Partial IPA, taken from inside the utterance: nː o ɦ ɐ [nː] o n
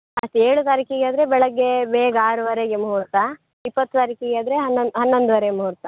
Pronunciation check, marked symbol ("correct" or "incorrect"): correct